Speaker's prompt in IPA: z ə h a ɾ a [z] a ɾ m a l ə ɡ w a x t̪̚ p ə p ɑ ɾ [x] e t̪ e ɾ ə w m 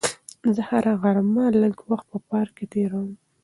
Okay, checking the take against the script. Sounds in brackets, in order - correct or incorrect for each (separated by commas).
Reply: incorrect, incorrect